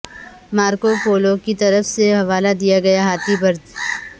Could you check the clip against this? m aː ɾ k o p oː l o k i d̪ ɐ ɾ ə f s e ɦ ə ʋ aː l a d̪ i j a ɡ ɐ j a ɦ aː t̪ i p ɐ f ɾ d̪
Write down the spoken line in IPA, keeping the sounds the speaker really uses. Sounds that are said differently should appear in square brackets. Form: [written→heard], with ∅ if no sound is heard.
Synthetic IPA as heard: m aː ɾ k o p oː l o k i [d̪→t̪] ɐ ɾ ə f s e ɦ [ə→ɐ] ʋ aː l a d̪ i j a ɡ ɐ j a ɦ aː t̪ i [p→b] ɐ [f→∅] ɾ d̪